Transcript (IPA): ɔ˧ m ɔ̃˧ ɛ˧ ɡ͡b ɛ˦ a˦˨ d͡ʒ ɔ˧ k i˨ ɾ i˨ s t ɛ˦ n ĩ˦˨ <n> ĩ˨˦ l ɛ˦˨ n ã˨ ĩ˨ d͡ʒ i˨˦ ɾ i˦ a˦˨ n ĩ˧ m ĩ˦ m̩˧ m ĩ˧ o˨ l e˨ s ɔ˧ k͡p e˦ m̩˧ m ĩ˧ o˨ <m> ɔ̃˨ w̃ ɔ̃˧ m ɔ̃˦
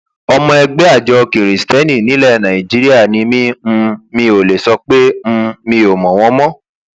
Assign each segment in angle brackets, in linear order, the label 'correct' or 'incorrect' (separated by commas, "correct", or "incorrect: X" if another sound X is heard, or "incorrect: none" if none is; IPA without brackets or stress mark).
correct, correct